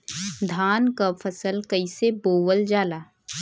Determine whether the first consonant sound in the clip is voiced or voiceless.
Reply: voiced